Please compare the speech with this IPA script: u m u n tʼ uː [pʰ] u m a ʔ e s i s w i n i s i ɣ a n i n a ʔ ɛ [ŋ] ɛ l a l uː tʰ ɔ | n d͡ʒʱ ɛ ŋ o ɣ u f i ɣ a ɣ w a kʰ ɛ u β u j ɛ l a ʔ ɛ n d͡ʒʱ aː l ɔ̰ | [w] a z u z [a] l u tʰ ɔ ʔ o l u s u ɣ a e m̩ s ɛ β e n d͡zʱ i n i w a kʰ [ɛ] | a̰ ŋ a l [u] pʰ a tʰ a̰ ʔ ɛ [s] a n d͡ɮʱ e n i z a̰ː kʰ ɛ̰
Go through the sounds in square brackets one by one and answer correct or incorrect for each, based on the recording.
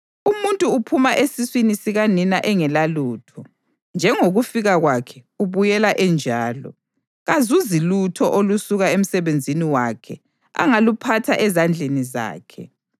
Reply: correct, correct, incorrect: ɣ, incorrect: i, correct, correct, incorrect: z

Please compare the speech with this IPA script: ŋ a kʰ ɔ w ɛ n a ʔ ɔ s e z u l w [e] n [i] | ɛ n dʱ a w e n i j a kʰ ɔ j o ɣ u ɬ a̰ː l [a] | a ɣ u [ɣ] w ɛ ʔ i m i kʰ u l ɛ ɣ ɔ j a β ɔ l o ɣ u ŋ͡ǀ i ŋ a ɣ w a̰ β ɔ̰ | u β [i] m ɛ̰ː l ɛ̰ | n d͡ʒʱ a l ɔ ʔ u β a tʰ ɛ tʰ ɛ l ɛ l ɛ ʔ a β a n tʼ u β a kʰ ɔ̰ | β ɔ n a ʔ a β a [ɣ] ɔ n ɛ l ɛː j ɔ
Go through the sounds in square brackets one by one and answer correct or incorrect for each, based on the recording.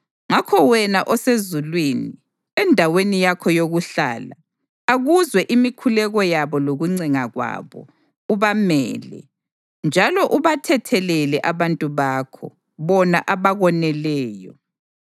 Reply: incorrect: i, correct, correct, incorrect: z, incorrect: a, correct

